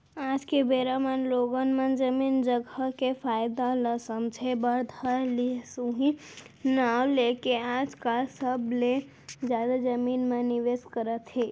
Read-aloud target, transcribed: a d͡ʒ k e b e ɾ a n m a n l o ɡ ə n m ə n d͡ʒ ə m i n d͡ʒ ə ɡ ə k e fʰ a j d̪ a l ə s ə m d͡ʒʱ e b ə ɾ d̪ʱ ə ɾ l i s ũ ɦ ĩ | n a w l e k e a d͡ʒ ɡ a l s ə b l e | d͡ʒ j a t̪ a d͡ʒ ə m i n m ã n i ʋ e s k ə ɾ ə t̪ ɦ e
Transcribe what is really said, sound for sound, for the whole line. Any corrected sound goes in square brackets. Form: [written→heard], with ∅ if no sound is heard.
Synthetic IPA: a d͡ʒ k e b e ɾ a [n→∅] m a n l o ɡ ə n m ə n d͡ʒ ə m i n d͡ʒ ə ɡ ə k e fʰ a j d̪ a l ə s ə m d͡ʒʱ e b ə ɾ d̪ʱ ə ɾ l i s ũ ɦ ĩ | n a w l e k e a d͡ʒ [ɡ→k] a l s ə b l e | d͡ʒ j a [t̪→d̪] a d͡ʒ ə m i n m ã n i ʋ e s k ə ɾ ə t̪ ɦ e